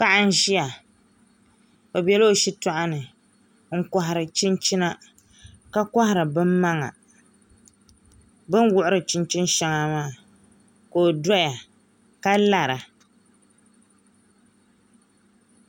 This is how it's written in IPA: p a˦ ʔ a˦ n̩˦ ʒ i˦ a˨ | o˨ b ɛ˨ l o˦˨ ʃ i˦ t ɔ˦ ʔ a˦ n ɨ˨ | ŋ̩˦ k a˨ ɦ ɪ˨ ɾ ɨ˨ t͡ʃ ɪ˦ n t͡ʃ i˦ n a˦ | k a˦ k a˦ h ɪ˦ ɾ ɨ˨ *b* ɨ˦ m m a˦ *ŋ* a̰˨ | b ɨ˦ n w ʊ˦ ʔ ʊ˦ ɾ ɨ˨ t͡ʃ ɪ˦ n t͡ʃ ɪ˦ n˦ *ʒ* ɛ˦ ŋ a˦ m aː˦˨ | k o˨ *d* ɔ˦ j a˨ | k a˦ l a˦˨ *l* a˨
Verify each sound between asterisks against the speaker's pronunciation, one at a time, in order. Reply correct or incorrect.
correct, correct, incorrect, correct, incorrect

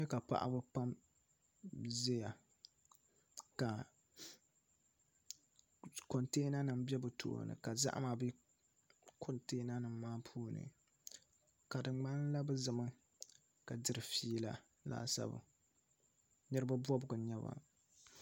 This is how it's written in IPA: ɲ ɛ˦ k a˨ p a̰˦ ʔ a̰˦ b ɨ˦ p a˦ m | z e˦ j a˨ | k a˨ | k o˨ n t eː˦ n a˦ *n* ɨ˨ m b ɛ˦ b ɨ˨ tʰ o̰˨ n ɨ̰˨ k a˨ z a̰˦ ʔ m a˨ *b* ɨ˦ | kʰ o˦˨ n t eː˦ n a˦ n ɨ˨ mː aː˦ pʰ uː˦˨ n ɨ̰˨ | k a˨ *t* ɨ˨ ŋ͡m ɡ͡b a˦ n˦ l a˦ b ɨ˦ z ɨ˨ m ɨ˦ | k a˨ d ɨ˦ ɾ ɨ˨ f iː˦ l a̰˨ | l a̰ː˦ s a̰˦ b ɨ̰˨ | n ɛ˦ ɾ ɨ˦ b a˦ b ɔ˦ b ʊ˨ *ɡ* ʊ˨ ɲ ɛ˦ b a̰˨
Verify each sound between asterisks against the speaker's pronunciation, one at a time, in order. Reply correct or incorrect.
correct, correct, incorrect, correct

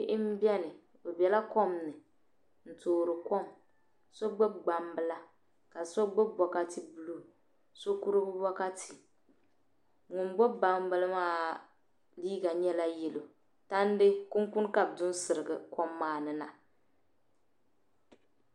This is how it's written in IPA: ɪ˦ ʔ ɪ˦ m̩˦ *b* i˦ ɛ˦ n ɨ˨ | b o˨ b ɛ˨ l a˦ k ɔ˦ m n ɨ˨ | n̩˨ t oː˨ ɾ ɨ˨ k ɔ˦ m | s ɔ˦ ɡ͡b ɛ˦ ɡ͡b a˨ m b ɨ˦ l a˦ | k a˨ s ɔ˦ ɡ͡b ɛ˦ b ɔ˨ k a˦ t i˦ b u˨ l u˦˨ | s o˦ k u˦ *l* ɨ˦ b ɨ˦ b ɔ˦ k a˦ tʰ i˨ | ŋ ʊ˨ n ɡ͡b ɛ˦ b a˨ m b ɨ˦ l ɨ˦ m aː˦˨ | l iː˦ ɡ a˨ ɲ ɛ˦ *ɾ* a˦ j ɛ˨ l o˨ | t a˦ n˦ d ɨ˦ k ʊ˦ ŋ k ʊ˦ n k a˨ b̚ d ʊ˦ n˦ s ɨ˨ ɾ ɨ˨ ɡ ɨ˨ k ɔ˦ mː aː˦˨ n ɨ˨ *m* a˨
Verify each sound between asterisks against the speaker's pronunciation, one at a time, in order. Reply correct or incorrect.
correct, incorrect, incorrect, incorrect

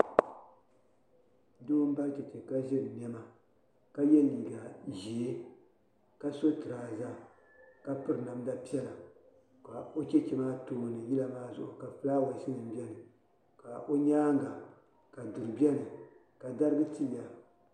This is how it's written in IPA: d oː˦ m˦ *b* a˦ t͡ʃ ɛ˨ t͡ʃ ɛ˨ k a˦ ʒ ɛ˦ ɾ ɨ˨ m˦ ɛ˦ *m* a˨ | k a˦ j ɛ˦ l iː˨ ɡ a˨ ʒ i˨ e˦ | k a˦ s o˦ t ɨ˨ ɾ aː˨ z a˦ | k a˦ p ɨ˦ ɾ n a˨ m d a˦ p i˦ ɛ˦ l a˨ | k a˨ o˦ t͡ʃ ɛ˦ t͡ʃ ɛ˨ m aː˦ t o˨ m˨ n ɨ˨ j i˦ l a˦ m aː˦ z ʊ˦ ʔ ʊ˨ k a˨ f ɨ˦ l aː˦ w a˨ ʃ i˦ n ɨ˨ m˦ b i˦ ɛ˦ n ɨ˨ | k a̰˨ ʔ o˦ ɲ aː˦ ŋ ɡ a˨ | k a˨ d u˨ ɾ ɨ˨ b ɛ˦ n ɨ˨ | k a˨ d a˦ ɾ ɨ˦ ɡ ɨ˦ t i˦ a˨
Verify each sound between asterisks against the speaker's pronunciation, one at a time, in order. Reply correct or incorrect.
correct, correct

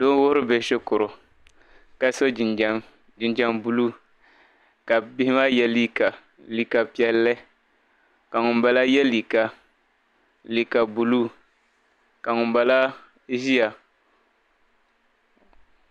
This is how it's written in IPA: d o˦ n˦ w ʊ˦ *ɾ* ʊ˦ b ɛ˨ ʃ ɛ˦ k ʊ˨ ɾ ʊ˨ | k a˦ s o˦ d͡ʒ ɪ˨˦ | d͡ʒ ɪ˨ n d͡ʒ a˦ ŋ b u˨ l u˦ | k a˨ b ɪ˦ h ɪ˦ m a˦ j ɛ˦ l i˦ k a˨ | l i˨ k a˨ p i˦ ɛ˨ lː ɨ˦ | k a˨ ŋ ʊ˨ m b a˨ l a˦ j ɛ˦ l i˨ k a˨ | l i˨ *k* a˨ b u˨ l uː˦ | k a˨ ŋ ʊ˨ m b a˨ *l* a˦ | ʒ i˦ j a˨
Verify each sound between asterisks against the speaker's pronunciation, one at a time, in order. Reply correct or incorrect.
correct, correct, correct

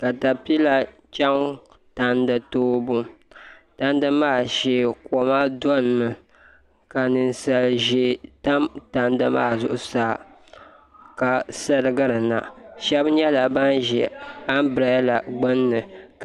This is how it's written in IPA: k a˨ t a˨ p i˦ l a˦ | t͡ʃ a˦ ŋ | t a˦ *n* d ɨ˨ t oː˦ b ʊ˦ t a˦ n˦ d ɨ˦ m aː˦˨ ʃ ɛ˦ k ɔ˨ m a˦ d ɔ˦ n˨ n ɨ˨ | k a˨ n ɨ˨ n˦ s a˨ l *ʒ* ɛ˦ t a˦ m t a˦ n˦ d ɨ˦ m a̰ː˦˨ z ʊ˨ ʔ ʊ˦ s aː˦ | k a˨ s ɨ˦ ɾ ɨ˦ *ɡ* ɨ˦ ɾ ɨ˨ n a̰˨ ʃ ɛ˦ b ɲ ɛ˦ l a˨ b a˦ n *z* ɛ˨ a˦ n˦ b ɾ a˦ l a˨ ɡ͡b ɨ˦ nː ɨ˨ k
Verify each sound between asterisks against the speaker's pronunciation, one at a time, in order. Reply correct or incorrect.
correct, correct, correct, incorrect

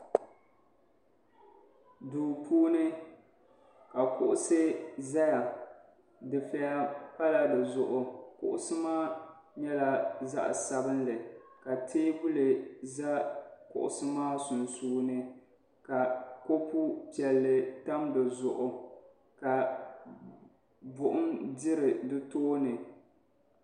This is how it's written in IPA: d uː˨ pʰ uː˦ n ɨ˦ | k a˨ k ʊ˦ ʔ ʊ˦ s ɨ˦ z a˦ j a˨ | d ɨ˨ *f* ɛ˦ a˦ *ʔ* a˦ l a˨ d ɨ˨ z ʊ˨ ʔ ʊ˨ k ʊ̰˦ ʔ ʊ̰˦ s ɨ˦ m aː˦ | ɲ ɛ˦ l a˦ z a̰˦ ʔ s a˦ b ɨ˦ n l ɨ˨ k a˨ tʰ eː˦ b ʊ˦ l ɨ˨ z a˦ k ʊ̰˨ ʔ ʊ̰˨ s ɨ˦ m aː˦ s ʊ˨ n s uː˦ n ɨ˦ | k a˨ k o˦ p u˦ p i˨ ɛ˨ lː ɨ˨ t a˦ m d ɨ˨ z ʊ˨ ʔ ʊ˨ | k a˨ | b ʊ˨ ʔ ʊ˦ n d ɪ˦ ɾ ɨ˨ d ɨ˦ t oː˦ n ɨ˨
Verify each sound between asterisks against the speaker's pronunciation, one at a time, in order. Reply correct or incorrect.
correct, incorrect

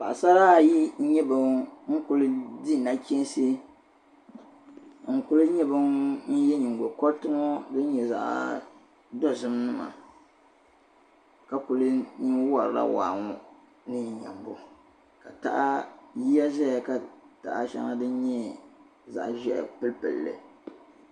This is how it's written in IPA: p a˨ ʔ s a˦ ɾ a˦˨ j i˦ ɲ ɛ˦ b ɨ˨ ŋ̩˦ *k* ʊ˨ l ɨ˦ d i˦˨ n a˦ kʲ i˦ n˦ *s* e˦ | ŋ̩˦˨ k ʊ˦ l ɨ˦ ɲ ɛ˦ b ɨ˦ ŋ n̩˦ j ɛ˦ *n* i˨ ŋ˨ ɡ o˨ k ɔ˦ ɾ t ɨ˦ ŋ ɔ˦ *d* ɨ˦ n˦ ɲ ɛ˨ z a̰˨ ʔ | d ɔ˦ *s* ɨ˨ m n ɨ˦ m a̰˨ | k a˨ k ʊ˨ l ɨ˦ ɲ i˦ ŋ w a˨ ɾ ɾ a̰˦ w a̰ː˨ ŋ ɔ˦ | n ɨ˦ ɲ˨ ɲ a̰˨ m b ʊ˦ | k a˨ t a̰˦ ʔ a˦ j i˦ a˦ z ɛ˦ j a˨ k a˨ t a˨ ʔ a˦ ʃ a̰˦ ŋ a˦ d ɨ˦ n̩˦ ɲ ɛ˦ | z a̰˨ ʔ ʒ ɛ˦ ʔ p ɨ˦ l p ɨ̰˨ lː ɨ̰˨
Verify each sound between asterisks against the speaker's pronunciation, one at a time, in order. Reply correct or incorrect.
correct, correct, incorrect, correct, incorrect

